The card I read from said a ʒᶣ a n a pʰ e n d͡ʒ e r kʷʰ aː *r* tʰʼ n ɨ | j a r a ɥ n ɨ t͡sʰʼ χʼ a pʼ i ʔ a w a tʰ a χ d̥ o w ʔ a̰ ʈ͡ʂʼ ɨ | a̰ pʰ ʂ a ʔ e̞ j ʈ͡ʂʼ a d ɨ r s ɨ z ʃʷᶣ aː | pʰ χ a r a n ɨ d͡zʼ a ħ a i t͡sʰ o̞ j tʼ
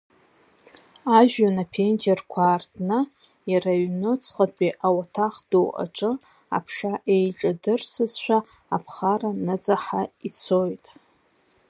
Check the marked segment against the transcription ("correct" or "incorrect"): correct